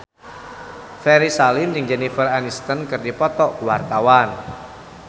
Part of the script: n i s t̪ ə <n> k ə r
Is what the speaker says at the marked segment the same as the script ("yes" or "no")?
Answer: yes